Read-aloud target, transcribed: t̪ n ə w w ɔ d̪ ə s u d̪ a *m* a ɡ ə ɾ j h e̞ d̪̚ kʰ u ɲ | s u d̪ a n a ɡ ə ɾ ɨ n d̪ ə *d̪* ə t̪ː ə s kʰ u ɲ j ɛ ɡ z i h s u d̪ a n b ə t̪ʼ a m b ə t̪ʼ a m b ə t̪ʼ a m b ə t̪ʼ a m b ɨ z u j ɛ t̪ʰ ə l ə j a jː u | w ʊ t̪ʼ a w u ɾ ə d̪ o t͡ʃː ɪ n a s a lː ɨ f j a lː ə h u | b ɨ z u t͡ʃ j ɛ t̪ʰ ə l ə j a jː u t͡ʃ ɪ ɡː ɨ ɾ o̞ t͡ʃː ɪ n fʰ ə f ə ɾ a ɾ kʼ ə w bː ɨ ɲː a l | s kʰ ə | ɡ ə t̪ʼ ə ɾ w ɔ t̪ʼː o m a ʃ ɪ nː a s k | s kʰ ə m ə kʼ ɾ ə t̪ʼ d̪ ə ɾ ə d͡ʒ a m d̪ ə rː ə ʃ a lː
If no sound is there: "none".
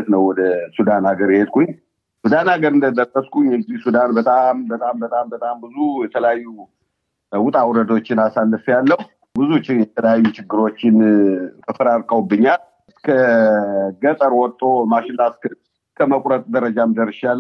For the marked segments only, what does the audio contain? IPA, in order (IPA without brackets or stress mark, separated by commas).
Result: n, d̪